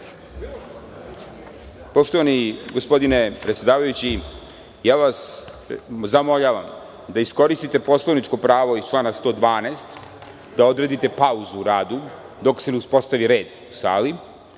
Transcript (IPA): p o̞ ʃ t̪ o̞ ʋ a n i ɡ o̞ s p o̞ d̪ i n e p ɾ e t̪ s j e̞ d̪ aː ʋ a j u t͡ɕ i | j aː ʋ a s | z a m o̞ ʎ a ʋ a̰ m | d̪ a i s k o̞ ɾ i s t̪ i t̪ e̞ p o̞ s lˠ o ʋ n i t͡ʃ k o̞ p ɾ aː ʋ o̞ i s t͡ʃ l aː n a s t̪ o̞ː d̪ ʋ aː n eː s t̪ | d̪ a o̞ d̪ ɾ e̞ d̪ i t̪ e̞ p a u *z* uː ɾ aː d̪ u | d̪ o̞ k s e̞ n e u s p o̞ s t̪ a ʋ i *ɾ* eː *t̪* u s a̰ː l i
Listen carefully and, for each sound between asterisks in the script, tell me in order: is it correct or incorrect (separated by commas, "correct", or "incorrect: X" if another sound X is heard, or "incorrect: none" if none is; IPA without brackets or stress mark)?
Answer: correct, correct, incorrect: d̪